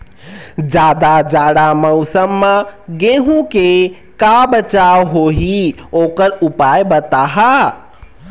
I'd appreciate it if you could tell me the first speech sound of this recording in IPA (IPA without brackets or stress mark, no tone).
d͡ʒ